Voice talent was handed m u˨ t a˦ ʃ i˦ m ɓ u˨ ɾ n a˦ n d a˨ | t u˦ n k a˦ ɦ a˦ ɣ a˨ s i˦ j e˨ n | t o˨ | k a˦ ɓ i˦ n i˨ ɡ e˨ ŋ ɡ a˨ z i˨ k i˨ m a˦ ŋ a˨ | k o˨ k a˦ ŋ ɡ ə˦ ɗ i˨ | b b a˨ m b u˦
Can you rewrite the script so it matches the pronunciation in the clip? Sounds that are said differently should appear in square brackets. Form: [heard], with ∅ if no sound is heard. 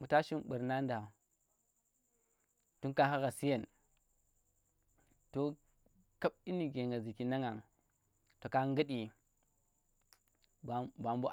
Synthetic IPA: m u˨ t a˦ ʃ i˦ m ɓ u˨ ɾ n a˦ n d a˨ | t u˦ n k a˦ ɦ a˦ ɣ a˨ s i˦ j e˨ n | t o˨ | k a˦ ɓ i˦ n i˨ ɡ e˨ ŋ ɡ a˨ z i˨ k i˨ [n] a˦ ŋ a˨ | [t] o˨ k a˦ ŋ ɡ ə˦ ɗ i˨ | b b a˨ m b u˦